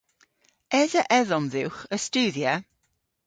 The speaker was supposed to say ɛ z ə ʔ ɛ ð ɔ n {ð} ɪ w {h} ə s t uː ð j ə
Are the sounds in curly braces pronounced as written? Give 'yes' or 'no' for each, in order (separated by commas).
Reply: yes, no